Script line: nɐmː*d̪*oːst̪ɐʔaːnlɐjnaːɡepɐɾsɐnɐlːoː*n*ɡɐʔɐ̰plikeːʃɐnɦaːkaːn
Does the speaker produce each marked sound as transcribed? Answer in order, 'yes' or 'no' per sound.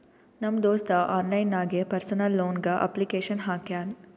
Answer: yes, yes

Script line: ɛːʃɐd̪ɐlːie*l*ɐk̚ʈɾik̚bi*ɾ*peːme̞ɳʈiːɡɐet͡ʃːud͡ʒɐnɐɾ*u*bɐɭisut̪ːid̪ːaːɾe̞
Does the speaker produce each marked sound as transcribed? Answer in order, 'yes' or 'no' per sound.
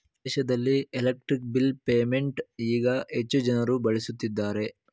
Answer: yes, no, yes

